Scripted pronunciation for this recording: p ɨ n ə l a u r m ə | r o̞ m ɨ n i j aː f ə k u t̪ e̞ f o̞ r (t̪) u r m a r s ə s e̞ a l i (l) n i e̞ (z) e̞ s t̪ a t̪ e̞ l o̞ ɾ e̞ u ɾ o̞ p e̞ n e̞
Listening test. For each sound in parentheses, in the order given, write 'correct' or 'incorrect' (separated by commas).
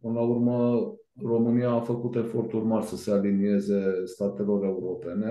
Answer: correct, incorrect, correct